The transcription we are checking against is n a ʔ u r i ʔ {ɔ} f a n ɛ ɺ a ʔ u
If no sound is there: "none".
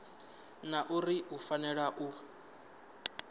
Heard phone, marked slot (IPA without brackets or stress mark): u